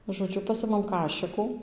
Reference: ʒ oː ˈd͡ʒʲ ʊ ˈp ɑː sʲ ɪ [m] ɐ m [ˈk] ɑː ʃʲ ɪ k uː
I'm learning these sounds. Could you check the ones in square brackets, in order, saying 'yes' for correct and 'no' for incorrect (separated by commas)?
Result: yes, yes